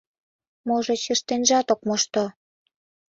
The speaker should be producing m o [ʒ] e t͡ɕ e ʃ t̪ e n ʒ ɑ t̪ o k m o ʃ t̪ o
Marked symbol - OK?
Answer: yes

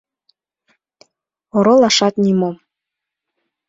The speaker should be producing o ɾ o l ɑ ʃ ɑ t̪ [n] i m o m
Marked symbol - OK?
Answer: yes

